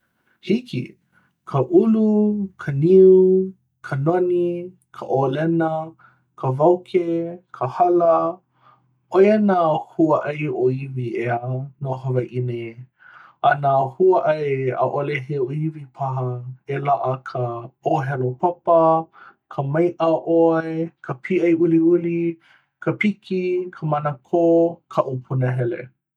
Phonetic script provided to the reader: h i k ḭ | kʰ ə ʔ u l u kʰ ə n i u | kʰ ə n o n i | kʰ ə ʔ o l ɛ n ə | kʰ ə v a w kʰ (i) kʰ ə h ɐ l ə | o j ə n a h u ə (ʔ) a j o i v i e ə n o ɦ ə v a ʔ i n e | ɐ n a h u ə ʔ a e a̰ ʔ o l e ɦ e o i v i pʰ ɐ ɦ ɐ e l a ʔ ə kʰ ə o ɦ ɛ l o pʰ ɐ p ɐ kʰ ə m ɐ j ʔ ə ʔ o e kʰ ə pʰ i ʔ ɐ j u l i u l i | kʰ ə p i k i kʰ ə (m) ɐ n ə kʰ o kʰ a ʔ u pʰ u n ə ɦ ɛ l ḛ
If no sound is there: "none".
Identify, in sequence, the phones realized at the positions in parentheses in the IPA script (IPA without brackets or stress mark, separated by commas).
e, ʔ, m